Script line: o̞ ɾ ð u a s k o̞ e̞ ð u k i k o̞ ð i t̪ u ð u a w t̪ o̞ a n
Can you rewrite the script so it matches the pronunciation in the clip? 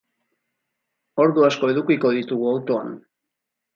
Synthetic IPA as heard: o̞ ɾ ð u a s k o̞ e̞ ð u k i k o̞ ð i t̪ u ɣ u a w t̪ o̞ a n